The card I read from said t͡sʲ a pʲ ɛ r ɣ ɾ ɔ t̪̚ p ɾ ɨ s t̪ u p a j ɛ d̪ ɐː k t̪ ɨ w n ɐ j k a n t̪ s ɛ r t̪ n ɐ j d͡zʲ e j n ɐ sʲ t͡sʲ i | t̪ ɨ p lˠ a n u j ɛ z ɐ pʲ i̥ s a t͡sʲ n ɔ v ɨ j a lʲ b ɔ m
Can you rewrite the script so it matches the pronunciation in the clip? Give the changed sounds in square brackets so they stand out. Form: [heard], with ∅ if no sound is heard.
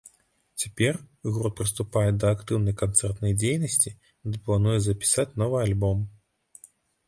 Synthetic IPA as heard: t͡sʲ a pʲ ɛ r ɣ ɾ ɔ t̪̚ p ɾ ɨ s t̪ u p a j ɛ d̪ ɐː k t̪ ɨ w n ɐ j k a n t̪ s ɛ r t̪ n ɐ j d͡zʲ e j n ɐ sʲ t͡sʲ i | [d̪] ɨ p lˠ a n u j ɛ z ɐ pʲ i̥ s a t͡sʲ n ɔ v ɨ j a lʲ b ɔ m